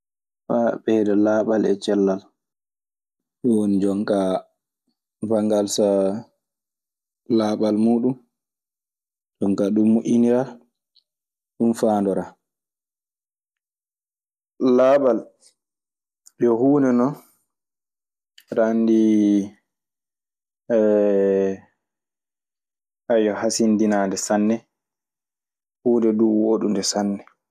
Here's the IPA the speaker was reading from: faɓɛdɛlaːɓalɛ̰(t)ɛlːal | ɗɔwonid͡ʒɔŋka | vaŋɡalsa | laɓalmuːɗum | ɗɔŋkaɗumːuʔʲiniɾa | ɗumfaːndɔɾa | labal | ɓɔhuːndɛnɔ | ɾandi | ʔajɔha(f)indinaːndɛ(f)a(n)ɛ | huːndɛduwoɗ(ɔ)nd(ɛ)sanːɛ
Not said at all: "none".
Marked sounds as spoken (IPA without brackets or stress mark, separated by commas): t͡ʃ, s, s, nː, u, ɛ